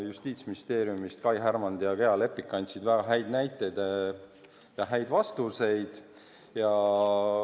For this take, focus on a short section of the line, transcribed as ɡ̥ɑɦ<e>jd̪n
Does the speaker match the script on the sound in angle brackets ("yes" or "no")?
no